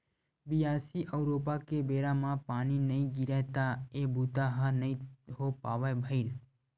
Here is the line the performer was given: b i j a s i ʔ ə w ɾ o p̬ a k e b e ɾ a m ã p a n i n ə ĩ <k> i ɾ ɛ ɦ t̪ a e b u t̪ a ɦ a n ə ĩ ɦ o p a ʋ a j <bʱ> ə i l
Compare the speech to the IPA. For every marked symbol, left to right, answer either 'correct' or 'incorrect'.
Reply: incorrect: ɡ, correct

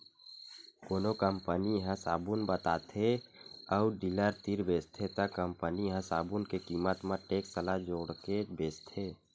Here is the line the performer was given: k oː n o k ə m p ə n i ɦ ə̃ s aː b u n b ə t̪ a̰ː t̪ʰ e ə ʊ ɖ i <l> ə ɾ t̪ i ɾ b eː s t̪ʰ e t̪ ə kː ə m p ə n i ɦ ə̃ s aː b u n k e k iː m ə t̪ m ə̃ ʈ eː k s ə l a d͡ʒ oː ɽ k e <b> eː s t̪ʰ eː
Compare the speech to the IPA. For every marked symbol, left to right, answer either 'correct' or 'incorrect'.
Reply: correct, correct

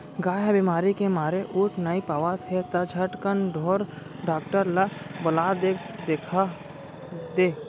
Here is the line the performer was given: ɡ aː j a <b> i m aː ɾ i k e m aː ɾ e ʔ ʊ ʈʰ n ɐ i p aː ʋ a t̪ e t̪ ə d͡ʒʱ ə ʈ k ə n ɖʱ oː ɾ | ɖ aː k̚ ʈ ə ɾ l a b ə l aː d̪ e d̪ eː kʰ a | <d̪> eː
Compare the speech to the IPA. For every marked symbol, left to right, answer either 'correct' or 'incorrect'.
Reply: correct, correct

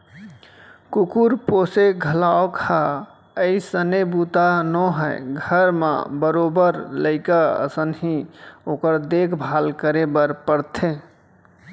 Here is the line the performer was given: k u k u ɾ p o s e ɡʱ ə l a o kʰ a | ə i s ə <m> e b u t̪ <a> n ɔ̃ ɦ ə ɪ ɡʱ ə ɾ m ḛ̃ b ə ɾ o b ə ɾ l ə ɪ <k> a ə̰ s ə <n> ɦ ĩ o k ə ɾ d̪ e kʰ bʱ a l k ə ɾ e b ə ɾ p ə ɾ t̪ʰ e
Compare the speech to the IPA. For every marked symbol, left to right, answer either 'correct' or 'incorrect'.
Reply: incorrect: n, correct, correct, correct

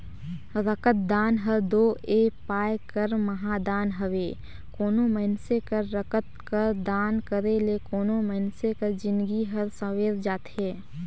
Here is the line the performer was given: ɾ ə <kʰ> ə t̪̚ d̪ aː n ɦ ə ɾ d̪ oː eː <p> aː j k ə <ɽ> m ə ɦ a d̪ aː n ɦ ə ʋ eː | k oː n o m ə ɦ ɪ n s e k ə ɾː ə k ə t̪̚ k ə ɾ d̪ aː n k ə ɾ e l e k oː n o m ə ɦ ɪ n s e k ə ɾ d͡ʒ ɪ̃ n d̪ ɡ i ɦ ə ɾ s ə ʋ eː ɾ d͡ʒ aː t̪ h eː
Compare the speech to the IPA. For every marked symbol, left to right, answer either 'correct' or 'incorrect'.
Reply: incorrect: k, correct, incorrect: ɾ

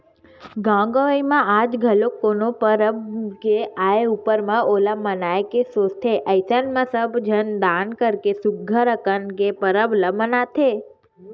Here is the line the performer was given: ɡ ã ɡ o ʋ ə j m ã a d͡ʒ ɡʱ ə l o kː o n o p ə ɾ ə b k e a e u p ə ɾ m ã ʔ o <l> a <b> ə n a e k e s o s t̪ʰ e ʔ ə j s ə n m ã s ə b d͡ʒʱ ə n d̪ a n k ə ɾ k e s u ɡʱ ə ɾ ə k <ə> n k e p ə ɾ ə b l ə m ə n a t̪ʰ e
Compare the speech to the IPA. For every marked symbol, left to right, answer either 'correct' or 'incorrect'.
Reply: correct, incorrect: m, correct

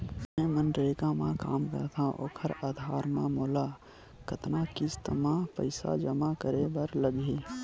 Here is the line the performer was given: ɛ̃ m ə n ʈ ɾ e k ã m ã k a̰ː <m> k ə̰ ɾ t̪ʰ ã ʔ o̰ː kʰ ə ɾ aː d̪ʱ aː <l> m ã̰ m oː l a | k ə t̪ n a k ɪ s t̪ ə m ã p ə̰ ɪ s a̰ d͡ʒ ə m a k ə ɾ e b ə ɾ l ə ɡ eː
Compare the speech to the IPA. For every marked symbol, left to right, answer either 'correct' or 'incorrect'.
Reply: correct, incorrect: ɾ

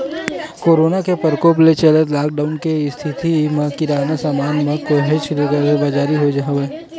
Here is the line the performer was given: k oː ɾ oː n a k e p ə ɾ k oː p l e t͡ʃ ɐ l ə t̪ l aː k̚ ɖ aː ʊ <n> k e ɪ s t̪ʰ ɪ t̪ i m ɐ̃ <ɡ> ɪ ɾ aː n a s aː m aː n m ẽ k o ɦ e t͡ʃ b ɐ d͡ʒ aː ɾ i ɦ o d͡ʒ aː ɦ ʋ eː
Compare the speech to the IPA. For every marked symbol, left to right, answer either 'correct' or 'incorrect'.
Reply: correct, incorrect: k

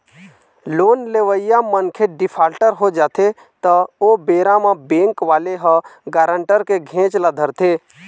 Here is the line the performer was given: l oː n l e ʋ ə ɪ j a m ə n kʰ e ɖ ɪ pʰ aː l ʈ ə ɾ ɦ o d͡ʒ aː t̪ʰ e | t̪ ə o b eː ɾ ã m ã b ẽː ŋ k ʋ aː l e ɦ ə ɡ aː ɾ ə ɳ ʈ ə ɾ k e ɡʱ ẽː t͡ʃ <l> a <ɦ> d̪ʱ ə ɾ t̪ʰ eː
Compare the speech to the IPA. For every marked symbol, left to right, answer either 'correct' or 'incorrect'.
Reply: correct, incorrect: none

